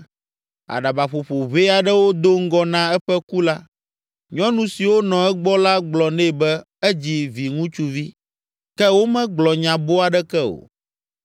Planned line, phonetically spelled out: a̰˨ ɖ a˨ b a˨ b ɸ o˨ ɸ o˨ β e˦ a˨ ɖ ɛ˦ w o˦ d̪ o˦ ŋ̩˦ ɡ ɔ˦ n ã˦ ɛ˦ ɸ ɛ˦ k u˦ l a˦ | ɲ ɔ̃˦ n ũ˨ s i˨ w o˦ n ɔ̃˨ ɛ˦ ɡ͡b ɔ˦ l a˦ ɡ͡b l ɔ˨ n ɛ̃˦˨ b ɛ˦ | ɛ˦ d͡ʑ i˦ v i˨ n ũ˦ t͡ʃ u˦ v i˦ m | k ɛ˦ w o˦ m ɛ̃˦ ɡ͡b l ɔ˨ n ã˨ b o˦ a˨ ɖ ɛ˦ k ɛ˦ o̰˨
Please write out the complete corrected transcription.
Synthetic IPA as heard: a̰˨ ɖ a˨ b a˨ ɸ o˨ ɸ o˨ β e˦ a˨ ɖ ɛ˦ w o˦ d̪ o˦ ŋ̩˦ ɡ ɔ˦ n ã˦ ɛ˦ ɸ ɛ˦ k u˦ l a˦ | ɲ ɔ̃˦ n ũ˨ s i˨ w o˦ n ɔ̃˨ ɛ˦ ɡ͡b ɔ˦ l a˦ ɡ͡b l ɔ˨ n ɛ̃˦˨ b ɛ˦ | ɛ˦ d͡ʑ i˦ v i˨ ŋ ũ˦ t͡ʃ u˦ v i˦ | k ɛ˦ w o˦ m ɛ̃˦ ɡ͡b l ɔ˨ ɲ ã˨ b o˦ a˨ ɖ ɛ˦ k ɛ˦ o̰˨